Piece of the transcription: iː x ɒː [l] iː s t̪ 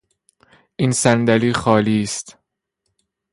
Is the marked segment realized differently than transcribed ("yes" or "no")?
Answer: no